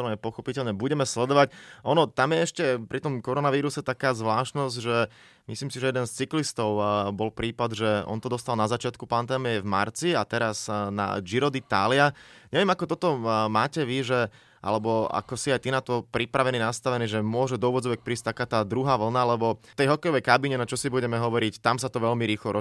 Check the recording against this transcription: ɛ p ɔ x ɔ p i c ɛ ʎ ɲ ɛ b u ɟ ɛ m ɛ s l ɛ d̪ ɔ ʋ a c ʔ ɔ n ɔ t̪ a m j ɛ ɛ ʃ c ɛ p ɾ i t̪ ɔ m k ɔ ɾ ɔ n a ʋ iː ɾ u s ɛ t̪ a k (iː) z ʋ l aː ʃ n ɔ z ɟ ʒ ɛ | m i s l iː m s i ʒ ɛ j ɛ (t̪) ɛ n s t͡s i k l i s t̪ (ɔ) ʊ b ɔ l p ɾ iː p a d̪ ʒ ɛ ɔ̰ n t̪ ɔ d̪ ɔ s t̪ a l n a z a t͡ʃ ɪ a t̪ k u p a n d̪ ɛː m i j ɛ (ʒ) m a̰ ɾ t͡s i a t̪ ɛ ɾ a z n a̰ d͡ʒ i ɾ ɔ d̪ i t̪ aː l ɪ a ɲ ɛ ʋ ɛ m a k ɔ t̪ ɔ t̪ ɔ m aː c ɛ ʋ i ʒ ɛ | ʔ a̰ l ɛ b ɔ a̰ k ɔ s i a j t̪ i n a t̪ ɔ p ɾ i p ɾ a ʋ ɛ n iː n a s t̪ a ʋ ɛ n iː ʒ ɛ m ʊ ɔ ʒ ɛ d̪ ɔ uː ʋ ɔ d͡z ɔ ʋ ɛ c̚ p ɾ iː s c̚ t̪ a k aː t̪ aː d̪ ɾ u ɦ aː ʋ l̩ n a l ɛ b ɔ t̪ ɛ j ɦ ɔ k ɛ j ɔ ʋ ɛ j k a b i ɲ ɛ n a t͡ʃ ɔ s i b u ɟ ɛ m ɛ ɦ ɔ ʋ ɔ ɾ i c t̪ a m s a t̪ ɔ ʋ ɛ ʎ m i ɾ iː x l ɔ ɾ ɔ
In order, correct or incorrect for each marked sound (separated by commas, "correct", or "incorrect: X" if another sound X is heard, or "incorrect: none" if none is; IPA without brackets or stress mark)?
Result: incorrect: aː, incorrect: d̪, correct, incorrect: v